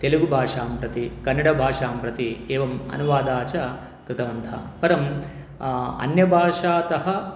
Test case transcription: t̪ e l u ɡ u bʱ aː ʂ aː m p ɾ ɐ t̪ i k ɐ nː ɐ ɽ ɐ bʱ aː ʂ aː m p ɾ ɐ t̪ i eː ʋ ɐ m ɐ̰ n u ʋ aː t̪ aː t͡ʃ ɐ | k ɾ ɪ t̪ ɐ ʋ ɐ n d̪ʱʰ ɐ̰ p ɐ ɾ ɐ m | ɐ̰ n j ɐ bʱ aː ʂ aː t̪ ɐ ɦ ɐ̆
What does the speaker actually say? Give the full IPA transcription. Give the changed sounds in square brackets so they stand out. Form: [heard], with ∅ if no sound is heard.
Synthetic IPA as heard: t̪ e l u ɡ u bʱ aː ʂ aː m p ɾ ɐ t̪ i k ɐ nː ɐ ɽ ɐ bʱ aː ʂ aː m p ɾ ɐ t̪ i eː ʋ ɐ m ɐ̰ n u ʋ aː [d̪] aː t͡ʃ ɐ | k ɾ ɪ t̪ ɐ ʋ ɐ n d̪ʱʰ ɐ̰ p ɐ ɾ ɐ m | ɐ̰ n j ɐ bʱ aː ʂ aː t̪ ɐ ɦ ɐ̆